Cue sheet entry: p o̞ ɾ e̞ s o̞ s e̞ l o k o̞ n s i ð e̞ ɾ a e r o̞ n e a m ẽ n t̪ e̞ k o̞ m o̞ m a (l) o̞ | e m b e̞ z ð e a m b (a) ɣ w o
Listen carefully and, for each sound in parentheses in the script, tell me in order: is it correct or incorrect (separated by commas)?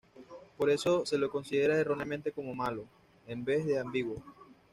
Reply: correct, incorrect